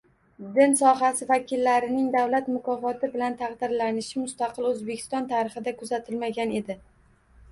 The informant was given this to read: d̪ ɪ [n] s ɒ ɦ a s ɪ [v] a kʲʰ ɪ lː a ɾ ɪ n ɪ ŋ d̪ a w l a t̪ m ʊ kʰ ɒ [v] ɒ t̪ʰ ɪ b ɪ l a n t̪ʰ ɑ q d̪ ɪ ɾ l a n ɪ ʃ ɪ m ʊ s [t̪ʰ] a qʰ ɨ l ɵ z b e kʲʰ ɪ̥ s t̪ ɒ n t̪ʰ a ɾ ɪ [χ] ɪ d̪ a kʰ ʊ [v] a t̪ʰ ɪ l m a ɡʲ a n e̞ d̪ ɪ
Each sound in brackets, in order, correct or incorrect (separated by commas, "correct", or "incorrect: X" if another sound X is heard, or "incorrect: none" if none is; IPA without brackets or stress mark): correct, correct, incorrect: f, incorrect: t̪, correct, incorrect: z